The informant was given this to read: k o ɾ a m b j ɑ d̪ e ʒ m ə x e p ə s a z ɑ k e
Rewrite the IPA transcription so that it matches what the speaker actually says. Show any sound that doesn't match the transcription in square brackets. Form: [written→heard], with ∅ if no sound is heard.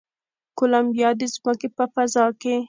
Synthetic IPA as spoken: k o [ɾ→l] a m b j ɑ d̪ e [ʒ→z] m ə [x→k] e p ə [s→f] a z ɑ k e